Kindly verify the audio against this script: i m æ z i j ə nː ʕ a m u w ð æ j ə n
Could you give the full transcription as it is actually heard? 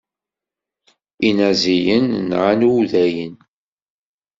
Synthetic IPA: i n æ z i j ə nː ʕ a n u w ð æ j ə n